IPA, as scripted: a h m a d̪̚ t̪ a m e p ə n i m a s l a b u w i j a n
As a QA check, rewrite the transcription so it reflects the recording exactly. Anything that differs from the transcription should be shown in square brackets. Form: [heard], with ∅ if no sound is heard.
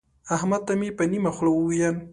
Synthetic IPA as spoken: a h m a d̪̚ t̪ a m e p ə n i m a [x] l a [w] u w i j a n